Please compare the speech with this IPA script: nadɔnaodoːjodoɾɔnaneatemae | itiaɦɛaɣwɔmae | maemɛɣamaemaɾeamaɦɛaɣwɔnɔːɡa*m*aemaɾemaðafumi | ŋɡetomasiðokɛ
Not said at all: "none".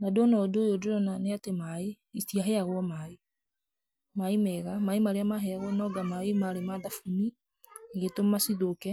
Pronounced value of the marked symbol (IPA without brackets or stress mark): m